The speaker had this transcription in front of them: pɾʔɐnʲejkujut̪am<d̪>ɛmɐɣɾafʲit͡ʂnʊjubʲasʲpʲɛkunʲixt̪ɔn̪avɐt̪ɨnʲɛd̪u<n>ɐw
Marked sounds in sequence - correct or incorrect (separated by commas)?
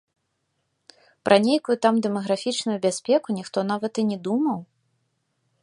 correct, incorrect